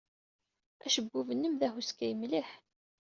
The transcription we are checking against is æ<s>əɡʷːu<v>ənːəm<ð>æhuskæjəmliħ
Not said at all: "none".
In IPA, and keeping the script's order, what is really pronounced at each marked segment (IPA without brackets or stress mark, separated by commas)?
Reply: ʃ, v, ð